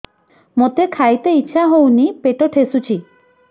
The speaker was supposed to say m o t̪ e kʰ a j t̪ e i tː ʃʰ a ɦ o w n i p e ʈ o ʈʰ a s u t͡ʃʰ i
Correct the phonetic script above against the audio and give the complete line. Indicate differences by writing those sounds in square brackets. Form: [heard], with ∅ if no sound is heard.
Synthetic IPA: m o t̪ e kʰ a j t̪ e i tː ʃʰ a ɦ o w n i p e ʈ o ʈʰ [e] s u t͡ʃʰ i